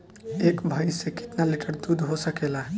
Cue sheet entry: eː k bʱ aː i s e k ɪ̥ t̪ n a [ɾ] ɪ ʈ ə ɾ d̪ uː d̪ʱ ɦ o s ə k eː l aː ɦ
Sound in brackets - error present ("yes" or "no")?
yes